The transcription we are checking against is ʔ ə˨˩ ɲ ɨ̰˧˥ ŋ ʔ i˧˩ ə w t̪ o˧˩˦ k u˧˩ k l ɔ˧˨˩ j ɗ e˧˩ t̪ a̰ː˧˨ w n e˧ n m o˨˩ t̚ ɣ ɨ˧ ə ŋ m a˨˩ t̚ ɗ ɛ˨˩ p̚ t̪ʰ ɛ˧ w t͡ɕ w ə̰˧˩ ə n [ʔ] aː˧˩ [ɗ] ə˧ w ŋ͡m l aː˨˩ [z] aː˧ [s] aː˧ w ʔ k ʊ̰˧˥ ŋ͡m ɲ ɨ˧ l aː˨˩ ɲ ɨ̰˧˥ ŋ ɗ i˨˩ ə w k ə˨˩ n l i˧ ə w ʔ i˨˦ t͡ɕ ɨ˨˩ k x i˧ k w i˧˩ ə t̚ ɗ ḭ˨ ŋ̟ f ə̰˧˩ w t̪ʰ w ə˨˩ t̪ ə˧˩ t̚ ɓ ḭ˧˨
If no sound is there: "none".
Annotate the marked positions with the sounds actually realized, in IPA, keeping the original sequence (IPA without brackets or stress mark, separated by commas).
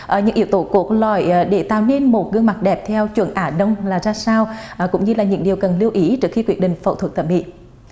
ʔ, ɗ, z, s